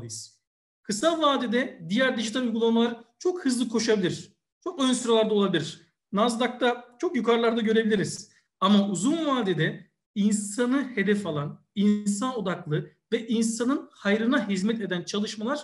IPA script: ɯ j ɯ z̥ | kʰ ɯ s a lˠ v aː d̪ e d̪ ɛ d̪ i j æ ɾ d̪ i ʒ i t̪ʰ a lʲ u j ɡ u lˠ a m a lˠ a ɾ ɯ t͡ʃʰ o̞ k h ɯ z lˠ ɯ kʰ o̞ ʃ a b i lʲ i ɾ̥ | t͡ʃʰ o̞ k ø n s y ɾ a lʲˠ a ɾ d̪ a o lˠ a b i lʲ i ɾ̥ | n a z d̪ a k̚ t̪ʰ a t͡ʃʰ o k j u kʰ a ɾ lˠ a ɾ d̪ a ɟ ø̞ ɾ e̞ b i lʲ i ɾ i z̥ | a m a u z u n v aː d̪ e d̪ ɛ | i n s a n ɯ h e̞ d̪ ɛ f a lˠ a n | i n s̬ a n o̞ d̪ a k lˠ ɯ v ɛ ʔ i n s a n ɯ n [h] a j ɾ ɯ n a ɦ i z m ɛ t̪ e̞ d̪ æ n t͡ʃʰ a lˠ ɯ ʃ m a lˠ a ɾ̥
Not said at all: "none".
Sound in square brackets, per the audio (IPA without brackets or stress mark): h